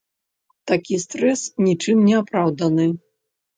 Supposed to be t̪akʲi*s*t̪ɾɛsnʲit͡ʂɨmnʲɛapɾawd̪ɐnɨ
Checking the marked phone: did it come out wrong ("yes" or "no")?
no